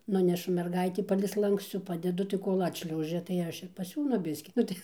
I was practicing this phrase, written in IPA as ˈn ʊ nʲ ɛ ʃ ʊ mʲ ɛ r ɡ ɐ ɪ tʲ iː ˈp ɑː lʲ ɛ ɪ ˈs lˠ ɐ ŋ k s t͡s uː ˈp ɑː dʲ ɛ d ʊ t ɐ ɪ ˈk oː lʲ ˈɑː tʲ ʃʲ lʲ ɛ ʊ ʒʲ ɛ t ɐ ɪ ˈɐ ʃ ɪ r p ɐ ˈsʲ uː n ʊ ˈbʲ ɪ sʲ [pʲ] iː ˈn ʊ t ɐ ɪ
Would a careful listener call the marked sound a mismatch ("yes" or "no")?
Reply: yes